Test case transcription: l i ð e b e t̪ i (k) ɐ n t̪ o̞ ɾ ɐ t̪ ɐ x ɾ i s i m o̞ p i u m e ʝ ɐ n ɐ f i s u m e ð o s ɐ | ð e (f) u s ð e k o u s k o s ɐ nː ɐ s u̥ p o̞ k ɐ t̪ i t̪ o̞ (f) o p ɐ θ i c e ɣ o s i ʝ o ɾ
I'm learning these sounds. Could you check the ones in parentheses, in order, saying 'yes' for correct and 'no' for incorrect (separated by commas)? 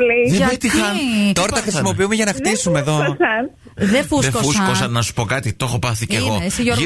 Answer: no, yes, no